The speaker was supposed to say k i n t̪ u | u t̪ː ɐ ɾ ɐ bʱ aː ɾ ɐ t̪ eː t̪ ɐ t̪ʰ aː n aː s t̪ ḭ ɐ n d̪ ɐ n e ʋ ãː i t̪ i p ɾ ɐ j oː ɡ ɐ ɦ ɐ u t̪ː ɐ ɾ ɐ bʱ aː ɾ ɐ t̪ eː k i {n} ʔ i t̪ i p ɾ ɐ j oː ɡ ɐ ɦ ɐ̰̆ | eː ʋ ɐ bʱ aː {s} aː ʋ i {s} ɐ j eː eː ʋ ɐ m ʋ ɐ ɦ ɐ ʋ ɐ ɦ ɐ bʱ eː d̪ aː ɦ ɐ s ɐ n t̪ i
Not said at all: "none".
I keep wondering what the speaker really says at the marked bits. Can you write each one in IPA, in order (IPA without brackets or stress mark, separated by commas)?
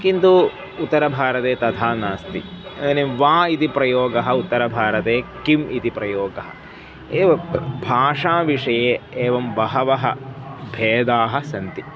m, ʂ, ʂ